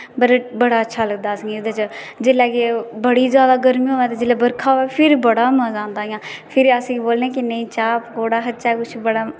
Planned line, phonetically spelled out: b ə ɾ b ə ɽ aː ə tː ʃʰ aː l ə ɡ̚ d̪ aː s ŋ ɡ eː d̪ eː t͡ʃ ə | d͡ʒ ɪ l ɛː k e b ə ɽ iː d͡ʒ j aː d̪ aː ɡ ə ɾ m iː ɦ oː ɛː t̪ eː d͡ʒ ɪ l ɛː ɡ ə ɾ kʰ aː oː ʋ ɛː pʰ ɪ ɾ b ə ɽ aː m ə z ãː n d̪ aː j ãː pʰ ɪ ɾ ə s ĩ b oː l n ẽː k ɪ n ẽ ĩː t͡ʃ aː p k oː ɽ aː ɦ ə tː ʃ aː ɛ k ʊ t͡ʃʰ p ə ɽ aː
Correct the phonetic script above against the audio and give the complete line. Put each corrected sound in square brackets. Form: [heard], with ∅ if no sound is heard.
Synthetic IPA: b ə ɾ b ə ɽ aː ə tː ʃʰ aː l ə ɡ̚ d̪ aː s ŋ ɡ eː d̪ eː t͡ʃ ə | d͡ʒ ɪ l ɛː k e b ə ɽ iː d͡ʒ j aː d̪ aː ɡ ə ɾ m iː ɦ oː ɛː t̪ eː d͡ʒ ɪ l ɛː [b] ə ɾ kʰ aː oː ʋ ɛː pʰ ɪ ɾ b ə ɽ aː m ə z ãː n d̪ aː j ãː pʰ ɪ ɾ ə s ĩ b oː l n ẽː k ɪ n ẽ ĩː t͡ʃ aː p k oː ɽ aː ɦ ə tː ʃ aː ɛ k ʊ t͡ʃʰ [b] ə ɽ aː